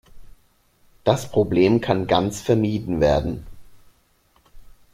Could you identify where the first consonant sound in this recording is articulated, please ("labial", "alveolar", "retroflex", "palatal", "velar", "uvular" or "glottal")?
alveolar